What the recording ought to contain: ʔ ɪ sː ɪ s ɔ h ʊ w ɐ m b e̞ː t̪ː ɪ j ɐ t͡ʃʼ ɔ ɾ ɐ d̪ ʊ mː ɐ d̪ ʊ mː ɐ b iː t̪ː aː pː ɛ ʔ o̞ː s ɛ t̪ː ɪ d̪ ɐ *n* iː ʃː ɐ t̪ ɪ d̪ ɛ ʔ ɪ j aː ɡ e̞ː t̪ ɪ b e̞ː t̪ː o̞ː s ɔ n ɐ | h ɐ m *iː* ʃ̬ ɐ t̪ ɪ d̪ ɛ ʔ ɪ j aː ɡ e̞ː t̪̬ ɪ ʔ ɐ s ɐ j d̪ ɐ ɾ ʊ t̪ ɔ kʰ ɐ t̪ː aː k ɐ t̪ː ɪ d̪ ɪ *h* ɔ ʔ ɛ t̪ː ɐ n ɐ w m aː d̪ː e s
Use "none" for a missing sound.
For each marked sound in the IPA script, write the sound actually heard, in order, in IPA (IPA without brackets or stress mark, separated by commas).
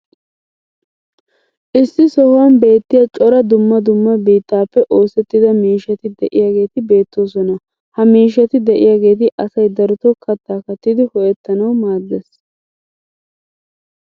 m, iː, h